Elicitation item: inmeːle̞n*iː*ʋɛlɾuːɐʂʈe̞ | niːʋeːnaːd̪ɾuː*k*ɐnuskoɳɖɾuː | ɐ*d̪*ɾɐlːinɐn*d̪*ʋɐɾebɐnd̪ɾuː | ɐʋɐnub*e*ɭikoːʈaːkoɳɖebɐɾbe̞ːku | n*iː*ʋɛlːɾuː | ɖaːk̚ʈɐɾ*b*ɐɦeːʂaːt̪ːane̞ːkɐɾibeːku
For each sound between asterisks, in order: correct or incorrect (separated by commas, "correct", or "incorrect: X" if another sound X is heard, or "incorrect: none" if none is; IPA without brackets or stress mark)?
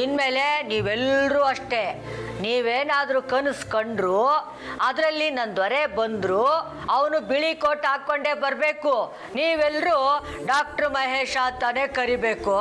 correct, correct, correct, correct, incorrect: i, correct, incorrect: m